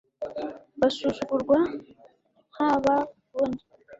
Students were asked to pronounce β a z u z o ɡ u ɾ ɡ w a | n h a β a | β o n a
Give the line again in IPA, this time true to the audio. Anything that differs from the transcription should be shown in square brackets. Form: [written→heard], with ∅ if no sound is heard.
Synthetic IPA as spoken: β a [z→s] u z [o→u] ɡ u ɾ ɡ w a | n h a β a | β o n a